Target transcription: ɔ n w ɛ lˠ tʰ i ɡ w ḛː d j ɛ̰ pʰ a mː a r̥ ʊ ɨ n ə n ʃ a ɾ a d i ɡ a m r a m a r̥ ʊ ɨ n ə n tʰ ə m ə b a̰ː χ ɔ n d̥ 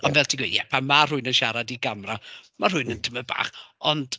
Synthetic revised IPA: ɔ n v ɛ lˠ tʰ i ɡ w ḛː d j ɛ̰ pʰ a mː a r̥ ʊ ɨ n ə n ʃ a ɾ a d i ɡ a m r a m a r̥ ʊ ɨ n ə n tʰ ə m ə b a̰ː χ ɔ n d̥